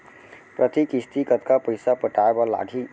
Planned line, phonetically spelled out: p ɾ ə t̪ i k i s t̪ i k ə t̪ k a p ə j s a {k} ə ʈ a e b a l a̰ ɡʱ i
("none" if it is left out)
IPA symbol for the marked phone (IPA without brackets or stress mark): p